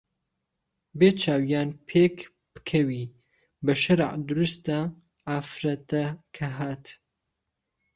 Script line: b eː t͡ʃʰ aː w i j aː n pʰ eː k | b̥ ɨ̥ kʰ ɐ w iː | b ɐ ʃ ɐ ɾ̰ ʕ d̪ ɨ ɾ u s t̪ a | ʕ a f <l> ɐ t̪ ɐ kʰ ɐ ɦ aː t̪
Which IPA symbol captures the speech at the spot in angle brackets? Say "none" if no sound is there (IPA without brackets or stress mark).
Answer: ɾ